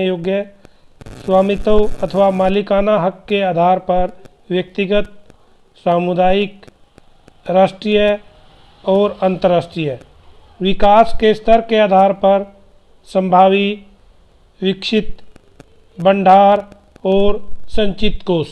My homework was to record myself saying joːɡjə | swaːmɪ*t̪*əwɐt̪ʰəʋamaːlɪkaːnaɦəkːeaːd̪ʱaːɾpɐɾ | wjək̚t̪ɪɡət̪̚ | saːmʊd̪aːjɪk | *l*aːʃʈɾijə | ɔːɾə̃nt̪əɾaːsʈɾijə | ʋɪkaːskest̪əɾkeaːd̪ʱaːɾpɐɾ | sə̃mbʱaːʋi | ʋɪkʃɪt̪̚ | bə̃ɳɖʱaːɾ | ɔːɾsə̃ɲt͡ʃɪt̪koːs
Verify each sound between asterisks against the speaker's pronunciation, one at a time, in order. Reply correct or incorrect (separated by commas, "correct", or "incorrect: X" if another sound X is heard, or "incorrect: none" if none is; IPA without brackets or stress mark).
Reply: correct, incorrect: ɾ